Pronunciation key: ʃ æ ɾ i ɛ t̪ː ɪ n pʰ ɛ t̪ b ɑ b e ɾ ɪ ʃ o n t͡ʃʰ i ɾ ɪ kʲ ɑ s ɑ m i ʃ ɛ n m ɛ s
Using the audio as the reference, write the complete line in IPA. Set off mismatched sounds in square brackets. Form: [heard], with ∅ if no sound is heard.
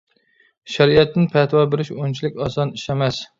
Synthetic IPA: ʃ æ ɾ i ɛ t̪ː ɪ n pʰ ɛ t̪ [w] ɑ b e ɾ ɪ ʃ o n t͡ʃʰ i [l] ɪ kʲ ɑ s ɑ [n] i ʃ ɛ [∅] m ɛ s